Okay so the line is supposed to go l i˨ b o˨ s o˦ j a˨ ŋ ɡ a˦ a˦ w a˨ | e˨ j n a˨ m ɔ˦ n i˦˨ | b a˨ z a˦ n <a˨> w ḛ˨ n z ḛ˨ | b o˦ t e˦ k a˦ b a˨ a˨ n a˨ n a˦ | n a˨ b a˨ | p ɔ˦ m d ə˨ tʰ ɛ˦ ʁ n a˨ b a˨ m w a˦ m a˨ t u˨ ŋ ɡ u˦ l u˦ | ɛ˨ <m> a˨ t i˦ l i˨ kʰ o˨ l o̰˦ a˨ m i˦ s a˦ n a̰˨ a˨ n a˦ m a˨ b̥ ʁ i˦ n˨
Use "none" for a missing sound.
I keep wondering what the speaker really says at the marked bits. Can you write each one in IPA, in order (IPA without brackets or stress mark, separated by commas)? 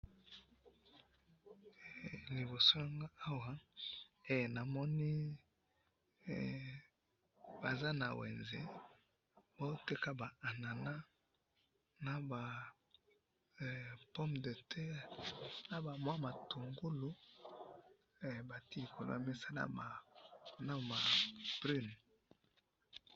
a˨, b